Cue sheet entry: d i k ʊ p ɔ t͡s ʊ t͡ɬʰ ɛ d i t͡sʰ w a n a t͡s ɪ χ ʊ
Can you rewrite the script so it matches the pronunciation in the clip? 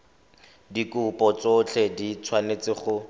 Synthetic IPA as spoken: d i k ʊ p ɔ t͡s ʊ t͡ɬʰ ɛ d i t͡sʰ w a n e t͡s ɪ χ ʊ